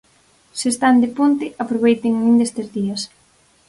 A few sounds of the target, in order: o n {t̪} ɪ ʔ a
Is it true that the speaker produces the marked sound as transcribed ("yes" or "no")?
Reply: yes